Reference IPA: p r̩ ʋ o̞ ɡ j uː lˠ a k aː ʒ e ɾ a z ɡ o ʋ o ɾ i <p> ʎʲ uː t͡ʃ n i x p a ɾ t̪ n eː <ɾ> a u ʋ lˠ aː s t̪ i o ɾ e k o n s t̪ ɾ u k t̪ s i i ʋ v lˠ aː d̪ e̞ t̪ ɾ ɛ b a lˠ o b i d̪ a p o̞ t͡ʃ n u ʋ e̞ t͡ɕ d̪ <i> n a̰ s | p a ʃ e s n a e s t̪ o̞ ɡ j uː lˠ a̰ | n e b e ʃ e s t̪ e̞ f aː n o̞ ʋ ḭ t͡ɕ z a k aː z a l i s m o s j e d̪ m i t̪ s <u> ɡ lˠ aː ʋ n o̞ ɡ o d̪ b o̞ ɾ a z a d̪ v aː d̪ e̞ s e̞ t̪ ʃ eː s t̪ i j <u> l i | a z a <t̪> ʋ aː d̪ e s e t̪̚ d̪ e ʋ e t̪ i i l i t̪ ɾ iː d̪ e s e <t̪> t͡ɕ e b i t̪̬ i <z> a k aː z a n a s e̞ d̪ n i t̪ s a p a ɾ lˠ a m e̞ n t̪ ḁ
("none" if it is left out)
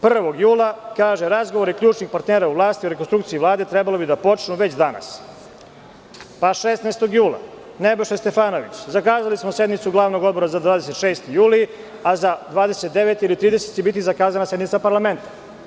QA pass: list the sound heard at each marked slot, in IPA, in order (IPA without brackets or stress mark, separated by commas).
k, ɾ, a, u, uː, d̪, t̪, z